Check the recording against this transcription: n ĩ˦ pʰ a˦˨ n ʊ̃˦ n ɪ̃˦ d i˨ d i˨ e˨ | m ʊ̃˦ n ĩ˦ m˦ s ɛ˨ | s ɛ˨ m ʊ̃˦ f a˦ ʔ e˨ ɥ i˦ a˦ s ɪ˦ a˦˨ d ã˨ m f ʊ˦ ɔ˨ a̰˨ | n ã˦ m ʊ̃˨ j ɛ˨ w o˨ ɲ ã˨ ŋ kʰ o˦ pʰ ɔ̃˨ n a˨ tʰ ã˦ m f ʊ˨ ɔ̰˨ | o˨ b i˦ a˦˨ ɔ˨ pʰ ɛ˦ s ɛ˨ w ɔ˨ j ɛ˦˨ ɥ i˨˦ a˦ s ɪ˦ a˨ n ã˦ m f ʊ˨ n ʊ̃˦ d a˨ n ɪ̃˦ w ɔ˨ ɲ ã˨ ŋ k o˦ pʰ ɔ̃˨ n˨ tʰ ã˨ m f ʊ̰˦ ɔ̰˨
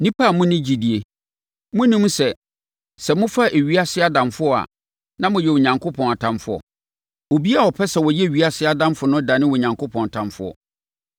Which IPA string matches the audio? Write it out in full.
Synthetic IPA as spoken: n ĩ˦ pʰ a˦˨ m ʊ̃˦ n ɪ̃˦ d͡ʑ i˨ d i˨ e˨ | m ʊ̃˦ n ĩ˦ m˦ s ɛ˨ | s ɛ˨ m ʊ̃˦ f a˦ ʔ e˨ ɥ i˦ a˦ s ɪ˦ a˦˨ d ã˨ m f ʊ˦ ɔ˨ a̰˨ | n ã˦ m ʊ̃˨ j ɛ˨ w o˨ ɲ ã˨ ŋ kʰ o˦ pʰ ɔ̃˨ n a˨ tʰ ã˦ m f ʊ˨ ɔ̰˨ | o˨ b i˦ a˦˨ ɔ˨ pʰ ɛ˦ s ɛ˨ w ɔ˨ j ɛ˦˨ ɥ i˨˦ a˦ s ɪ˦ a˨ d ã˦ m f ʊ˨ n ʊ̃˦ d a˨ n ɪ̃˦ w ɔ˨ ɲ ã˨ ŋ k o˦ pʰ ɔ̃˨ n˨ tʰ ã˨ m f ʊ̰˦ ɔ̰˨

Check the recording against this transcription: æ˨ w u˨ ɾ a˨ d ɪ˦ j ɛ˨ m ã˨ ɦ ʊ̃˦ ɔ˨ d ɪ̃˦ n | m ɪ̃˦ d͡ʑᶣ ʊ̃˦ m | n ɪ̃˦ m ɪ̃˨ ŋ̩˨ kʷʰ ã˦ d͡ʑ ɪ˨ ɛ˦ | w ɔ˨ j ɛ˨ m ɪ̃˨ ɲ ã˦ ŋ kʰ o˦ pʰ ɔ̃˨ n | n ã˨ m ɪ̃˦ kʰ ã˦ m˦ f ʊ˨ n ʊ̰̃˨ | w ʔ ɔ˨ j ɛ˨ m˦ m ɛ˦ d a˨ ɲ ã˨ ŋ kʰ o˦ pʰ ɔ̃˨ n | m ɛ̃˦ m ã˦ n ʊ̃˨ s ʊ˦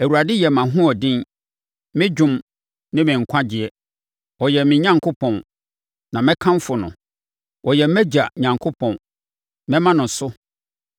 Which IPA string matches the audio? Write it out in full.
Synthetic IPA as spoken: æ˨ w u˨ ɾ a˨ d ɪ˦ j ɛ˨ m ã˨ ɦ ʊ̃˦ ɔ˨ d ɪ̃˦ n | m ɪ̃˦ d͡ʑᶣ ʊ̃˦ m | n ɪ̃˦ m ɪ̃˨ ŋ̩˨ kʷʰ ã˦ d͡ʑ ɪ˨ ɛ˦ | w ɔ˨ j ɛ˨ m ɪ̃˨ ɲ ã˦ ŋ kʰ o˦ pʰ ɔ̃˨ n | n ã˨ m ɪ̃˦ kʰ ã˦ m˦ f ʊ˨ n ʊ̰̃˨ | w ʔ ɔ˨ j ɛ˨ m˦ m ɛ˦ d͡ʑ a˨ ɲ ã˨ ŋ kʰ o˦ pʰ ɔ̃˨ n | m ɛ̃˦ m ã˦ n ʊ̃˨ s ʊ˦

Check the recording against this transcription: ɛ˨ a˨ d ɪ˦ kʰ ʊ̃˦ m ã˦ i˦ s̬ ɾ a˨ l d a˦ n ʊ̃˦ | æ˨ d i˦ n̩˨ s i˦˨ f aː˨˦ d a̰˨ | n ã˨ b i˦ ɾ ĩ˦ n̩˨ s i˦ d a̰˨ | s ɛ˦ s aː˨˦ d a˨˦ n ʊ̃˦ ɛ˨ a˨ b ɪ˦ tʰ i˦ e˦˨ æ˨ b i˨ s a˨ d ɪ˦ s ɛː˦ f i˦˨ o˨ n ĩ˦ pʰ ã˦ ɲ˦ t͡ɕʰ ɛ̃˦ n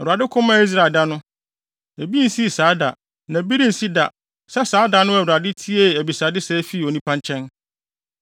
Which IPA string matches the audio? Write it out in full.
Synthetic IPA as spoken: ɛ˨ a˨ d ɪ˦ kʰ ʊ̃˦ m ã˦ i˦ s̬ ɾ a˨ l d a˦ n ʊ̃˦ | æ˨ b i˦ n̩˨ s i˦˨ s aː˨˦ d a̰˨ | n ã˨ b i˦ ɾ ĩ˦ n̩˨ s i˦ d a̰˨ | s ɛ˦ s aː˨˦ d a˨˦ n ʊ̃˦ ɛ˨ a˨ d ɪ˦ tʰ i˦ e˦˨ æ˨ b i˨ s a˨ d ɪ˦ s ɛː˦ f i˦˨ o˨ n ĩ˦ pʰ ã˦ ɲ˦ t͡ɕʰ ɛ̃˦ n

